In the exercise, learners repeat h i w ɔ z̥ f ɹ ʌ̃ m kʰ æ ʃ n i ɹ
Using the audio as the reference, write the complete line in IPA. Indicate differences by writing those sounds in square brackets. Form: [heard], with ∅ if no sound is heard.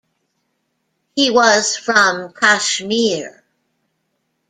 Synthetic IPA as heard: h i w [ʌ] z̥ f ɹ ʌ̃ m kʰ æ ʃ [m] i ɹ